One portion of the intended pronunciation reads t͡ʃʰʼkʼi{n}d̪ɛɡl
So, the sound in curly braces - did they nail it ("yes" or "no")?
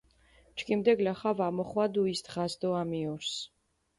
no